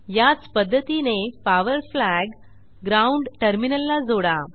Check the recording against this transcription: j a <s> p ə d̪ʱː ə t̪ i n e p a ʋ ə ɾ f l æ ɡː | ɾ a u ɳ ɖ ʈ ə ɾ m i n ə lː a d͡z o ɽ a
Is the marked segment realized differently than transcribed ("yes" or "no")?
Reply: yes